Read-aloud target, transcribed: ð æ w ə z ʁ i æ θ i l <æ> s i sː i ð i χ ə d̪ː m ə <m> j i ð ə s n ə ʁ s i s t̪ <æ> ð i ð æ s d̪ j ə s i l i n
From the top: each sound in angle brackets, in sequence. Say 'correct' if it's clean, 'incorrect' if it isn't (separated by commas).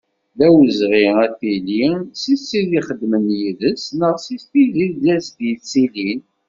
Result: incorrect, incorrect, incorrect